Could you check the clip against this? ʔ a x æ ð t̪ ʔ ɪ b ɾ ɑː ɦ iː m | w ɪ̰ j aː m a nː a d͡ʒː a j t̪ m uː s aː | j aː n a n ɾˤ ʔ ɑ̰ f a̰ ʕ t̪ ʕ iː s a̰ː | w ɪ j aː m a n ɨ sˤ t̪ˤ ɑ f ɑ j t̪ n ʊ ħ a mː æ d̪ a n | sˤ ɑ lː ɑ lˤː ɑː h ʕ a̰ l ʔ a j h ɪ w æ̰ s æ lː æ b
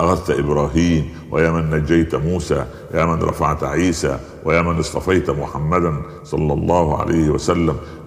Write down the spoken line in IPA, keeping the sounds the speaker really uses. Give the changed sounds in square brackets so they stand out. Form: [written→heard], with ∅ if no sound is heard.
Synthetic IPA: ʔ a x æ ð t̪ ʔ ɪ b ɾ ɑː ɦ iː m | w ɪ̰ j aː m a nː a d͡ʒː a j t̪ m uː s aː | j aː [n→m] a n ɾˤ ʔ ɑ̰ f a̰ ʕ t̪ ʕ iː s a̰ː | w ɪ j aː m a n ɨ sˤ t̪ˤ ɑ f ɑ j t̪ [n→m] ʊ ħ a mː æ d̪ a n | sˤ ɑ lː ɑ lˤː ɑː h ʕ a̰ l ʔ a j h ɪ w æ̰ s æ lː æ [b→m]